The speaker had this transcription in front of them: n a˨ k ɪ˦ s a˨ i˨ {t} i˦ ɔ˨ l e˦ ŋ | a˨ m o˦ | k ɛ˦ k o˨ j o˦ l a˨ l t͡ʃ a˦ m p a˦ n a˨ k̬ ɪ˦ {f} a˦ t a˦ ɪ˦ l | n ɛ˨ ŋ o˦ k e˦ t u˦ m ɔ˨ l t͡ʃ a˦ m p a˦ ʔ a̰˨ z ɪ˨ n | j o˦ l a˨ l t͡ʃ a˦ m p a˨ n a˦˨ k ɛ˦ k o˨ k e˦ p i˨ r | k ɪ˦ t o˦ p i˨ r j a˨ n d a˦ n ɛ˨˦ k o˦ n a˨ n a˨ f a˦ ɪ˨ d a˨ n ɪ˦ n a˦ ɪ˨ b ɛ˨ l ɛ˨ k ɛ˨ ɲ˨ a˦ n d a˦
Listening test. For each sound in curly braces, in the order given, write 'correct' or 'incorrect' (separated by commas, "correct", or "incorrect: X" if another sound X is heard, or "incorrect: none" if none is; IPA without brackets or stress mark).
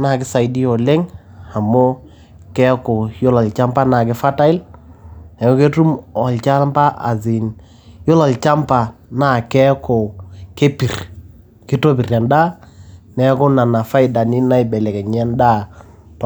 incorrect: d, correct